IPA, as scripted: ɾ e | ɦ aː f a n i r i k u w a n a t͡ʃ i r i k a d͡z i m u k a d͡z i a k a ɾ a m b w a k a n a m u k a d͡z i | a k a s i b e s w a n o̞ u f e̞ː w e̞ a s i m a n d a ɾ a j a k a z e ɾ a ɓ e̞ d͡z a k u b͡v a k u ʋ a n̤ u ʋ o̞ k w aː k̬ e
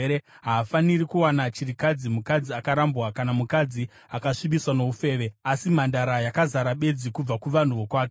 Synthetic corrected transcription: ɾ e | ɦ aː f a n i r i k u w a n a t͡ʃ i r i k a d͡z i m u k a d͡z i a k a ɾ a m b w a k a n a m u k a d͡z i | a k a ʂ i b i s w a n o̞ u f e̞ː ʋ e̞ a s i m a n d a ɾ a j a k a z a ɾ a ɓ e̞ d͡z i k u b͡v a k u ʋ a n̤ u ʋ o̞ k w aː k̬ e